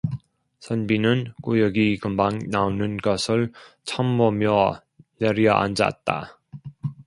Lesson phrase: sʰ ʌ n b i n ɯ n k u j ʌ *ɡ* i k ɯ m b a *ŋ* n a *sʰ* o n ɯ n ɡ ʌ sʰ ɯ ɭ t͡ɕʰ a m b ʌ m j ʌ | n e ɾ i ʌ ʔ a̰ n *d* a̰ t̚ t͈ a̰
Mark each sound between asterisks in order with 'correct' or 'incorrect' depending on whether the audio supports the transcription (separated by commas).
correct, correct, incorrect, incorrect